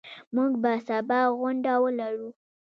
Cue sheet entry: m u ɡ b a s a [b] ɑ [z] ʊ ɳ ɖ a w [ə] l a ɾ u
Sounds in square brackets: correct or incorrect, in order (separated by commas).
correct, incorrect, correct